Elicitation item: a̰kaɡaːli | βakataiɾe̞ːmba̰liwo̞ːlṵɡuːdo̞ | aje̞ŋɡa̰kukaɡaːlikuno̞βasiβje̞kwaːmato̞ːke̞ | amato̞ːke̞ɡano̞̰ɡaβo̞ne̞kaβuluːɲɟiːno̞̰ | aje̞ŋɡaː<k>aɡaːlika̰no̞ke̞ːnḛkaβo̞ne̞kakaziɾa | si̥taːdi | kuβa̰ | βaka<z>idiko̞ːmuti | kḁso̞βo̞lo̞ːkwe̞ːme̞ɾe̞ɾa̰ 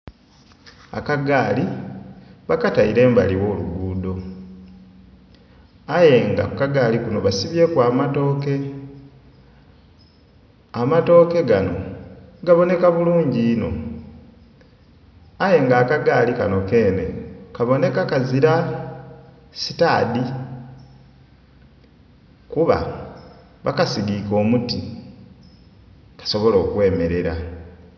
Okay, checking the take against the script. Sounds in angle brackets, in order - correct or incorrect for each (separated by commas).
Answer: correct, incorrect